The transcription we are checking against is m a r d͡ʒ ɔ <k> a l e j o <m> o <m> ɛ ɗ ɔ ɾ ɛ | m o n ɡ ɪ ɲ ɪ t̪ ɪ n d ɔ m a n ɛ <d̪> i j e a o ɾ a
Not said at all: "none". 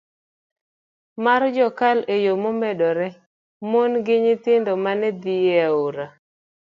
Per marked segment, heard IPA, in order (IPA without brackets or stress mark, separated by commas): k, m, m, d̪